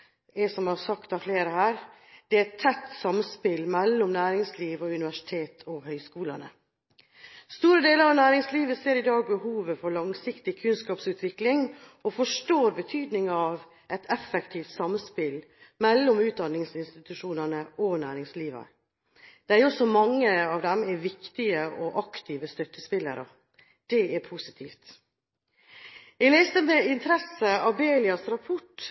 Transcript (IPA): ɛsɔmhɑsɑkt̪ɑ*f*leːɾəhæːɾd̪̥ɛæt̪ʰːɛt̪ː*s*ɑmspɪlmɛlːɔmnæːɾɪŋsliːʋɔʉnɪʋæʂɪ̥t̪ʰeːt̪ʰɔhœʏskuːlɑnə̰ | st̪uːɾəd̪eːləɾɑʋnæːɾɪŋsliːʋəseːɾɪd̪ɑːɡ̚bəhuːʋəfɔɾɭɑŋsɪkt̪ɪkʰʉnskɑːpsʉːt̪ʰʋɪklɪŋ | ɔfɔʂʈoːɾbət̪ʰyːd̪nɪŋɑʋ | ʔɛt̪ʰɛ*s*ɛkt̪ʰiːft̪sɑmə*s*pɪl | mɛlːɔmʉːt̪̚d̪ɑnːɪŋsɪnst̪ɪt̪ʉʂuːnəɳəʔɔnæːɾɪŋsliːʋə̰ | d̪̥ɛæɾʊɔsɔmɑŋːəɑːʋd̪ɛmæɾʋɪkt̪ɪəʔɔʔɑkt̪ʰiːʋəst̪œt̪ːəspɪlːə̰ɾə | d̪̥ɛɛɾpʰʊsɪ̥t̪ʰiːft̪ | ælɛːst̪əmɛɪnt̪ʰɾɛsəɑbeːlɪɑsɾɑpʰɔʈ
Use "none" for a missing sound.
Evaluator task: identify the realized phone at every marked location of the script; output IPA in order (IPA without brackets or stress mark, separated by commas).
f, s, f, s